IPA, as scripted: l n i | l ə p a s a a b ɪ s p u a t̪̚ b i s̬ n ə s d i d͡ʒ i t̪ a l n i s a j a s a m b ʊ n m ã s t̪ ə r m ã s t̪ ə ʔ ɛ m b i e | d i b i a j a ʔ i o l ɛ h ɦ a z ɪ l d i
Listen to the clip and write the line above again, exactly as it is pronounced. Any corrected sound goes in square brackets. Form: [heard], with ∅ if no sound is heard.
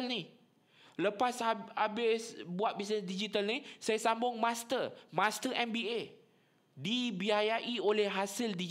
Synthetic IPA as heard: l n i | l ə p a s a a b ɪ s [b] u a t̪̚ b i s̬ n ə s d i d͡ʒ i t̪ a l n i s a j a s a m b ʊ [ŋ] m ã s t̪ ə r m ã s t̪ ə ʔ ɛ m b i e | d i b i a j a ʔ i o l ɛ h ɦ a [s] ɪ l d i